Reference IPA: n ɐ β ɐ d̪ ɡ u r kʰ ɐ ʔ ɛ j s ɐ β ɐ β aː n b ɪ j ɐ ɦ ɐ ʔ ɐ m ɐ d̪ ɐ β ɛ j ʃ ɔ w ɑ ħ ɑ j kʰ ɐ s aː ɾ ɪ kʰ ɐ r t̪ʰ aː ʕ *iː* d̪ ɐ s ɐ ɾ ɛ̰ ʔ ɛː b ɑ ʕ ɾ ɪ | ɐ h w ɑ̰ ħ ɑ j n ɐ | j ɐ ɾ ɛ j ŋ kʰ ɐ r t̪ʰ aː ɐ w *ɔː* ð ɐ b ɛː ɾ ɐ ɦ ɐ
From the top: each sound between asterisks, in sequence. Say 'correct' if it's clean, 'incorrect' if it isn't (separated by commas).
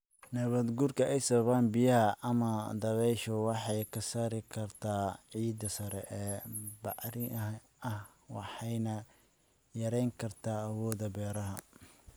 correct, correct